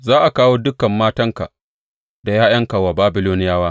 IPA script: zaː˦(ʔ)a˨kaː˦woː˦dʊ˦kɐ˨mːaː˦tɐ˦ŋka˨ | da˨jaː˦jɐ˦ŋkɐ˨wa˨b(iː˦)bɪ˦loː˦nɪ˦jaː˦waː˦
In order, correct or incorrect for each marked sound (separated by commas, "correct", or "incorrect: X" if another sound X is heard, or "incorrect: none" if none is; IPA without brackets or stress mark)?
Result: correct, incorrect: aː˦